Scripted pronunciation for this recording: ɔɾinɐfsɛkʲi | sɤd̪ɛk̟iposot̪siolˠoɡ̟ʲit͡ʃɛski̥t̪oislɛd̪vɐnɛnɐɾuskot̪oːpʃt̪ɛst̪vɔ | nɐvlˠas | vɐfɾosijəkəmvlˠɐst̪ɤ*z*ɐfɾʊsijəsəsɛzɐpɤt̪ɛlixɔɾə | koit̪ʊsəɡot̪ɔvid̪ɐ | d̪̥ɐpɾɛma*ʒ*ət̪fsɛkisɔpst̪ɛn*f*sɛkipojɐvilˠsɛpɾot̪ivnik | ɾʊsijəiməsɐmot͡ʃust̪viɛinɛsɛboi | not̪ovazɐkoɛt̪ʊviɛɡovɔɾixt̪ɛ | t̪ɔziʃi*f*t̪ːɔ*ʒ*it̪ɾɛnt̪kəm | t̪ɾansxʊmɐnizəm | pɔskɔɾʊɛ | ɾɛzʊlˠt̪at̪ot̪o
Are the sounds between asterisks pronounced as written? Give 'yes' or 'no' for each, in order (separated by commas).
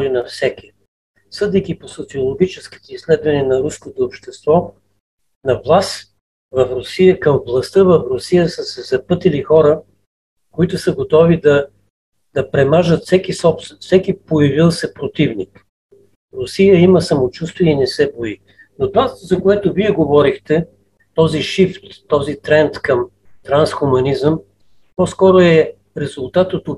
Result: no, yes, yes, yes, no